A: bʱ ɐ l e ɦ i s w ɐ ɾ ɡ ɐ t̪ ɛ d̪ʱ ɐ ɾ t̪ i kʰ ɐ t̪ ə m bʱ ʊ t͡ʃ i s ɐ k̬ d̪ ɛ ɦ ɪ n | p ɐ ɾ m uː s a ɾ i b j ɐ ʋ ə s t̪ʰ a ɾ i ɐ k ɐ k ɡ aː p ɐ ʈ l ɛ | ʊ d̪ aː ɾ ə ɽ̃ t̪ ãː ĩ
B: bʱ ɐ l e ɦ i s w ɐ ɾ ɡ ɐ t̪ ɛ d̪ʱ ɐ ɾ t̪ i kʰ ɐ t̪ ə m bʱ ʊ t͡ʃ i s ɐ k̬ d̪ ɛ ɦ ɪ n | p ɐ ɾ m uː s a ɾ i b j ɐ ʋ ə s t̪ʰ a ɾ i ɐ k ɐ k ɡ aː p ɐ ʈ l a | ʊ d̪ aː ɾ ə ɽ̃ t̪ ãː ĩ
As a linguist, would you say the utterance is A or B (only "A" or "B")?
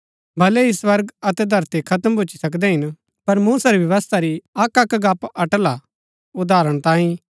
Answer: B